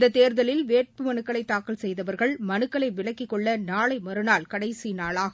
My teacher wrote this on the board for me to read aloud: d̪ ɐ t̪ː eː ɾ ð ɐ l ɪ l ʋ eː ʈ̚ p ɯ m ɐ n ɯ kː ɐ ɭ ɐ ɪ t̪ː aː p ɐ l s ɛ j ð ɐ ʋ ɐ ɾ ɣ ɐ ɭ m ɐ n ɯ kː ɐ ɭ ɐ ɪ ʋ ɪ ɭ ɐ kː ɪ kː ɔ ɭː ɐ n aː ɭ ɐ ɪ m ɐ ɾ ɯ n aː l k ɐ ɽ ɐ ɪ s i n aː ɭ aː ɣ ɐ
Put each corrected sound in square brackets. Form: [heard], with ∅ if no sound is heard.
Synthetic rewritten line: d̪ ɐ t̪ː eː ɾ ð ɐ l ɪ l ʋ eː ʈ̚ p ɯ m ɐ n ɯ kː ɐ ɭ ɐ ɪ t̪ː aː [k] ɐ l s ɛ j ð ɐ ʋ ɐ ɾ ɣ ɐ ɭ m ɐ n ɯ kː ɐ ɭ ɐ ɪ ʋ ɪ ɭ ɐ kː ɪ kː ɔ ɭː ɐ n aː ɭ ɐ ɪ m ɐ ɾ ɯ n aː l k ɐ ɽ ɐ ɪ s i n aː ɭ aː ɣ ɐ